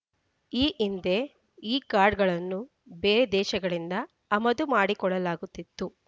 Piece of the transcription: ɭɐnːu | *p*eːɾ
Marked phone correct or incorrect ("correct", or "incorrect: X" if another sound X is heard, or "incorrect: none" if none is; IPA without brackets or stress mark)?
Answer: incorrect: b